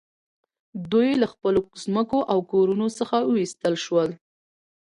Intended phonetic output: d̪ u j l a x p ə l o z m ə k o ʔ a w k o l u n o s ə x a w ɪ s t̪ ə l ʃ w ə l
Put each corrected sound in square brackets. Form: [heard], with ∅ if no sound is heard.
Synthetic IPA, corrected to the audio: d̪ u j l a x p ə l o z m ə k o ʔ a w k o [ɾ] u n o s ə x a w [i] s t̪ ə l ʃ w ə l